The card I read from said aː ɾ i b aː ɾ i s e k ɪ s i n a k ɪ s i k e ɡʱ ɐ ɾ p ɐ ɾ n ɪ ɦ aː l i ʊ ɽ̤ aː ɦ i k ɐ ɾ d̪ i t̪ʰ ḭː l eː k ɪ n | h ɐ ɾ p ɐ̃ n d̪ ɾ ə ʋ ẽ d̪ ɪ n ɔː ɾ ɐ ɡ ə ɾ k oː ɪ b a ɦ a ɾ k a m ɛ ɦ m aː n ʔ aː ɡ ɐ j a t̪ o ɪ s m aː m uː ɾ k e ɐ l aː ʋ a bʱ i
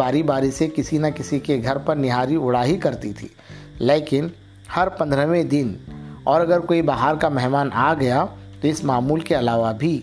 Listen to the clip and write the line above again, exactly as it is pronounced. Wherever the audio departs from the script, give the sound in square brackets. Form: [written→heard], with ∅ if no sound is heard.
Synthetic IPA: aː ɾ i b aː ɾ i s e k ɪ s i n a k ɪ s i k e ɡʱ ɐ ɾ p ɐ ɾ n ɪ ɦ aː [l→ɾ] i ʊ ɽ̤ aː ɦ i k ɐ ɾ [d̪→t̪] i t̪ʰ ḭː l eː k ɪ n | h ɐ ɾ p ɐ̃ n d̪ ɾ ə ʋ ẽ d̪ ɪ n ɔː ɾ ɐ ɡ ə ɾ k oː [ɪ→i] b a ɦ a ɾ k a m ɛ ɦ m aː n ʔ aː ɡ ɐ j a t̪ o ɪ s m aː m uː [ɾ→l] k e ɐ l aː ʋ a bʱ i